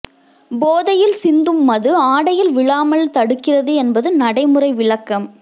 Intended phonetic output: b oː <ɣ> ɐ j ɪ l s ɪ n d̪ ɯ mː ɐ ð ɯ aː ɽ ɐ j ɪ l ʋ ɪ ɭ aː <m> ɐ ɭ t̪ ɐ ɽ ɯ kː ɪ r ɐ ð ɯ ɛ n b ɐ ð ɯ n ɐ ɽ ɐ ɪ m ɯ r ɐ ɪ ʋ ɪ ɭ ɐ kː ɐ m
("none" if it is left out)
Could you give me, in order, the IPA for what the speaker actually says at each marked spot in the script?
ð, m

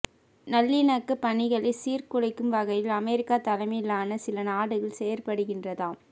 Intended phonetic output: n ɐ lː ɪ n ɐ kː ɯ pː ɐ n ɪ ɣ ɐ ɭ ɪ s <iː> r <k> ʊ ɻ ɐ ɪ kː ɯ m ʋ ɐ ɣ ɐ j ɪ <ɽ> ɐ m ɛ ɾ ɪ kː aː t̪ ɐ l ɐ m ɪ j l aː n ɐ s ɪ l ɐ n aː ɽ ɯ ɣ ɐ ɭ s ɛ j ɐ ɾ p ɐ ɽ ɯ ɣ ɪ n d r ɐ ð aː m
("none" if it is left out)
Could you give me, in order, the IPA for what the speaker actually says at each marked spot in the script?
iː, k, l

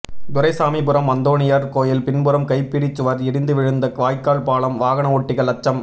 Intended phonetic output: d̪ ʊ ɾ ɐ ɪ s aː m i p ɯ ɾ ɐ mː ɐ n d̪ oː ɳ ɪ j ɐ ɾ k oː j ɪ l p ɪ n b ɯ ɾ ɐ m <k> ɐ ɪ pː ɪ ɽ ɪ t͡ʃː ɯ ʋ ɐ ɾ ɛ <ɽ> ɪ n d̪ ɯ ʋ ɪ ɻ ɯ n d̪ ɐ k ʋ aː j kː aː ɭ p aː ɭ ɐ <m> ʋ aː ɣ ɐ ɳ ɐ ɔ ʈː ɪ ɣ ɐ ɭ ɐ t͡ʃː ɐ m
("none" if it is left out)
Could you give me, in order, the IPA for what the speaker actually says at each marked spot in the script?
k, ɽ, m

